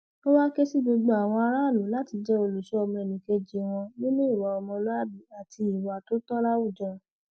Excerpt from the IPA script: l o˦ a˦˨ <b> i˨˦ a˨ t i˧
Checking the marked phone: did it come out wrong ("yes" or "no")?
no